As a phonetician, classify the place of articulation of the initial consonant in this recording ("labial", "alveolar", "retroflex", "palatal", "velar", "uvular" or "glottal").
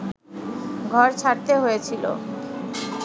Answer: velar